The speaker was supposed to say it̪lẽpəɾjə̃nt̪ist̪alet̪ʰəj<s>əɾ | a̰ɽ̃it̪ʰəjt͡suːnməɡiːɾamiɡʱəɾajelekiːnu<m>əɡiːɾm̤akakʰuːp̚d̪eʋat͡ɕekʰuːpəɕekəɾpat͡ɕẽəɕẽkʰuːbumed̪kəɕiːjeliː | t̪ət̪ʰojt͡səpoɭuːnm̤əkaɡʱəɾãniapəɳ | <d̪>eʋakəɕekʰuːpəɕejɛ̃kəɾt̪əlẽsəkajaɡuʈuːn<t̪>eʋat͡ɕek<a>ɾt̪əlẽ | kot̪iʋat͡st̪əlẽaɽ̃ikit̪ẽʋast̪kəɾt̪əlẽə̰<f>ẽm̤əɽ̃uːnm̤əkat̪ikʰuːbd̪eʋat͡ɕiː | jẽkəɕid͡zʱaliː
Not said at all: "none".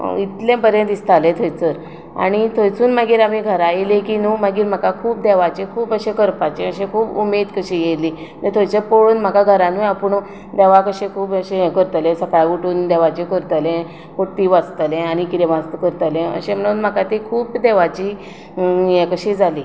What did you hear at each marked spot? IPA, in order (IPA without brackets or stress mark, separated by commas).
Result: t͡s, m, d̪, d̪, ə, ɕ